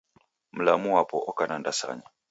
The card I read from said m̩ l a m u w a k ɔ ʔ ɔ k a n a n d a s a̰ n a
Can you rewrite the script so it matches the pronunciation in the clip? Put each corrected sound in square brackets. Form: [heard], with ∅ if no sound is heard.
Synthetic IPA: m̩ l a m u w a [p] ɔ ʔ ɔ k a n a n d a s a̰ [ɲ] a